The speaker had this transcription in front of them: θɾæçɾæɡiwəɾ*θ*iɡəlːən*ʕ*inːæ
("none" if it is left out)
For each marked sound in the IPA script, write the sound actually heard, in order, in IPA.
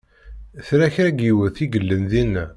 θ, ð

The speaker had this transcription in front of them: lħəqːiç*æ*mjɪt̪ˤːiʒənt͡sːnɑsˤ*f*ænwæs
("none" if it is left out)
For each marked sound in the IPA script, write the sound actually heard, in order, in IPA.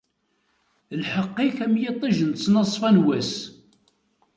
æ, f

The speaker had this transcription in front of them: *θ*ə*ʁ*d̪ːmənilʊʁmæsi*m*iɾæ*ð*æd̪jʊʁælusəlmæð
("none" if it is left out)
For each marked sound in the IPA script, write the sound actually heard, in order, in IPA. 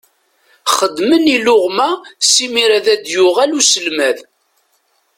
χ, none, m, ð

